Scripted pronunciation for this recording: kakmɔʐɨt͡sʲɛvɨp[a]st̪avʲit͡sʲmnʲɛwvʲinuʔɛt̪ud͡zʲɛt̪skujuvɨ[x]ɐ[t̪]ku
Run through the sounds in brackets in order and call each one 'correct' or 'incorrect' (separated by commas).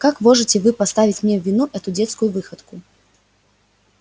correct, correct, correct